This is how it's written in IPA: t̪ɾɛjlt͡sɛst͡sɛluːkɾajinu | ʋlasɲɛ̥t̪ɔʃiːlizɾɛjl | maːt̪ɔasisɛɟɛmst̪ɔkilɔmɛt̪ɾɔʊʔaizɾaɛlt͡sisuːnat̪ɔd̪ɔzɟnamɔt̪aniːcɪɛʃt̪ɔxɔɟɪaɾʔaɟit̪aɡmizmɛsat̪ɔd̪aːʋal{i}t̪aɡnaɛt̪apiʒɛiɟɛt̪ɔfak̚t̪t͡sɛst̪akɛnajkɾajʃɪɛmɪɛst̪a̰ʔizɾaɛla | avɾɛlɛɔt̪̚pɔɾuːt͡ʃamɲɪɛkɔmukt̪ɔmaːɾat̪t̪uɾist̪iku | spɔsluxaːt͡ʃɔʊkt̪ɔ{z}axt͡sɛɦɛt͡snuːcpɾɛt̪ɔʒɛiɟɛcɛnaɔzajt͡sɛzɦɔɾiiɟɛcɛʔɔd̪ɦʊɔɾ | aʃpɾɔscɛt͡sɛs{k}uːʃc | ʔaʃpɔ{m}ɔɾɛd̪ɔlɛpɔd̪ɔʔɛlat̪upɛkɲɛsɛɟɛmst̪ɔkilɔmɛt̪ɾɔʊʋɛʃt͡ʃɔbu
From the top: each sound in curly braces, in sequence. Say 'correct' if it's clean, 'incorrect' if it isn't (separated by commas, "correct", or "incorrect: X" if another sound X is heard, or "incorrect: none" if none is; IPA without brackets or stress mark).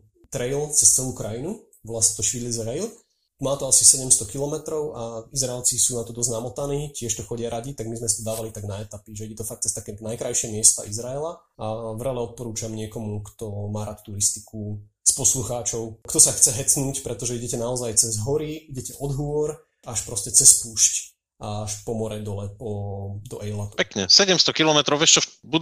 correct, incorrect: s, incorrect: p, correct